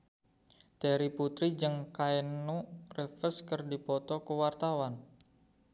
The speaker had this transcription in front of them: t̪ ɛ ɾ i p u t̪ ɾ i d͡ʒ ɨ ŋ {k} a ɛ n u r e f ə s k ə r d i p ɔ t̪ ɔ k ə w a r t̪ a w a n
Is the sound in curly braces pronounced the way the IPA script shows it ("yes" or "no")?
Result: yes